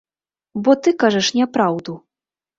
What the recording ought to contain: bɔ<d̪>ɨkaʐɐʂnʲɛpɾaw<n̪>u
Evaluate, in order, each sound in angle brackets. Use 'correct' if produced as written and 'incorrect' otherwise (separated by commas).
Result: incorrect, incorrect